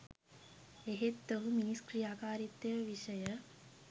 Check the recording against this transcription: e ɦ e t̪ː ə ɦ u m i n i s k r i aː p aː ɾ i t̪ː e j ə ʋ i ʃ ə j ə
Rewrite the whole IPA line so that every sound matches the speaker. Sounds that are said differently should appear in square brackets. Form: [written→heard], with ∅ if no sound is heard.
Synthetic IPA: e ɦ e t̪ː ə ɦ u m i n i s k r i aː [p→k] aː ɾ i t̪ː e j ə ʋ i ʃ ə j ə